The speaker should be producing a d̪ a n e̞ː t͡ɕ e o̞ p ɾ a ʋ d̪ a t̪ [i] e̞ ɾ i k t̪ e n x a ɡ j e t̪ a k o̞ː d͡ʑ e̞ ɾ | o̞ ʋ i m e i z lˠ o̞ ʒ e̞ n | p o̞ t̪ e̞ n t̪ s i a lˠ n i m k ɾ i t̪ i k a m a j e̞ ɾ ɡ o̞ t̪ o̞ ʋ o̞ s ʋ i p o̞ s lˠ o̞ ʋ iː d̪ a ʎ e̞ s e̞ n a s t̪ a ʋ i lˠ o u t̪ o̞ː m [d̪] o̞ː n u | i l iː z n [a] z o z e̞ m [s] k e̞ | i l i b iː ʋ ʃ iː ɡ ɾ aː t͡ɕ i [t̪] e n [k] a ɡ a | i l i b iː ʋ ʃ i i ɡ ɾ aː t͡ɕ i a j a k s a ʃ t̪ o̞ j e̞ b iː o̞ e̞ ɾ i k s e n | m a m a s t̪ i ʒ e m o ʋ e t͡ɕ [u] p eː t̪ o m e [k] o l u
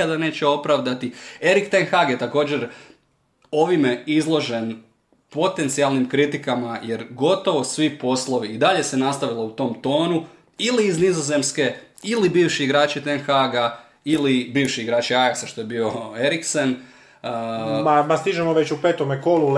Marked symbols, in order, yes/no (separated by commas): yes, no, no, yes, yes, no, yes, yes